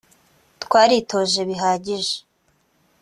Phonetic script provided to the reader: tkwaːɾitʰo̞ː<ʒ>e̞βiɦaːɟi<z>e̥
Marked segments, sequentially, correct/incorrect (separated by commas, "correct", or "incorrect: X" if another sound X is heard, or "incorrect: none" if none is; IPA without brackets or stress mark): correct, incorrect: ʒ